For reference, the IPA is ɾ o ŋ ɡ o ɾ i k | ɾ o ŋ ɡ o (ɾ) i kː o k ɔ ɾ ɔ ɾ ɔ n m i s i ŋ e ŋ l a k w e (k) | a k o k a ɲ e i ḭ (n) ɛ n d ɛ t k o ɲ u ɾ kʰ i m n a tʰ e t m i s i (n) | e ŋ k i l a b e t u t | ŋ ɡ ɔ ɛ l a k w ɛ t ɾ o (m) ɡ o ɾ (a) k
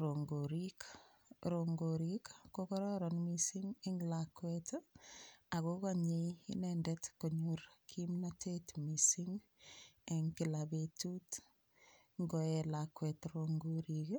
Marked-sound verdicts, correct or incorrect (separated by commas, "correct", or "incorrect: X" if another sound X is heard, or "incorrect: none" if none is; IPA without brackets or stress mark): correct, incorrect: t, correct, incorrect: ŋ, incorrect: ŋ, incorrect: i